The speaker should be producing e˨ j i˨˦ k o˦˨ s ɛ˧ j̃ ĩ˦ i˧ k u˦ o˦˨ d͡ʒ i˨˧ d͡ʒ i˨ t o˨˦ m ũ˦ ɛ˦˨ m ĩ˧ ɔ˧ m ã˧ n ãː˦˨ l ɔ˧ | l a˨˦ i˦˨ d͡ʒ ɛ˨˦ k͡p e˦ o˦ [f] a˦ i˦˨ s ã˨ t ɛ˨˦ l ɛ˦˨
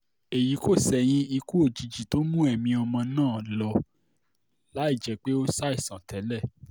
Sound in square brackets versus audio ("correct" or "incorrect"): incorrect